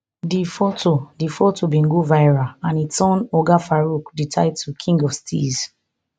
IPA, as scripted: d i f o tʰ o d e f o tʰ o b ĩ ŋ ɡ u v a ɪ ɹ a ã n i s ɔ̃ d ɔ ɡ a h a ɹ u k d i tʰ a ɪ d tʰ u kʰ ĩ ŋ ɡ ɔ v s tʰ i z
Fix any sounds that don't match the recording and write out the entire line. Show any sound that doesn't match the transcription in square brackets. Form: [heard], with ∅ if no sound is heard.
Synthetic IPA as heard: d i f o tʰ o d [i] f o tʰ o b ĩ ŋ ɡ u v a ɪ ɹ a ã n i s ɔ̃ [n] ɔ ɡ a [f] a ɹ u k d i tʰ a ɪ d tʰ u kʰ ĩ ŋ ɡ ɔ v s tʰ i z